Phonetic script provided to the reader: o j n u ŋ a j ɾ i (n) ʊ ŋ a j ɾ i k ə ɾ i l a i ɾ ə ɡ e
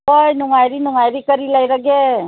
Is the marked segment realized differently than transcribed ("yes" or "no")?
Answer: no